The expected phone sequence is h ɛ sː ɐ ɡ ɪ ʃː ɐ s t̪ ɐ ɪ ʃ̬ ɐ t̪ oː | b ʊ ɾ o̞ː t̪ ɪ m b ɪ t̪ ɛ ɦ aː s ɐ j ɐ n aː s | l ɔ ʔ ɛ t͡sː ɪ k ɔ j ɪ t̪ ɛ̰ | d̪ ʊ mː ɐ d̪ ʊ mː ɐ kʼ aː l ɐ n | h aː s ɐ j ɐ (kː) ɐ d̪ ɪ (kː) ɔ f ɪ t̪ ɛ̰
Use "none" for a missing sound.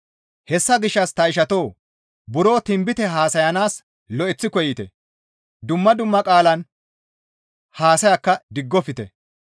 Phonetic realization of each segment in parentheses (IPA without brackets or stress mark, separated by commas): kː, ɡː